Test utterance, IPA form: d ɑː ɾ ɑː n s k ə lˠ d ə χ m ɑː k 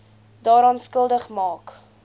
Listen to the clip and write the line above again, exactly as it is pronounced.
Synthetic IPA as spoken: d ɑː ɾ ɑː n s k ə lˠ d ə χ m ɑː k